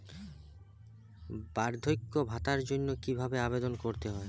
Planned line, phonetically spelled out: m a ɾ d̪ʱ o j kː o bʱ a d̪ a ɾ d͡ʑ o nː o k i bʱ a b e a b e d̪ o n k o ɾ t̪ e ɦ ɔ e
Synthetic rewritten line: b a ɾ d̪ʱ o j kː o bʱ a t̪ a ɾ d͡ʑ o nː o k i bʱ a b e a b e d̪ o n k o ɾ t̪ e ɦ ɔ e